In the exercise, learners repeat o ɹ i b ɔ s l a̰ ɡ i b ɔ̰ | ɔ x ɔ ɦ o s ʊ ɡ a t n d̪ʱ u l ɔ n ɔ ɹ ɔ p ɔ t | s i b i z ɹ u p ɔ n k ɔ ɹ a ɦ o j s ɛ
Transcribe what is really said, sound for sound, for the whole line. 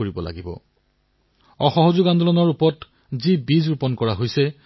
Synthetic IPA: o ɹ i b ɔ l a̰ ɡ i b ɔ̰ | ɔ x ɔ ɦ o z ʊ ɡ a n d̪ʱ ɔ l ɔ n ɔ ɹ u p ɔ t | z i b i z ɹ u p ɔ n k ɔ ɹ a ɦ o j s ɛ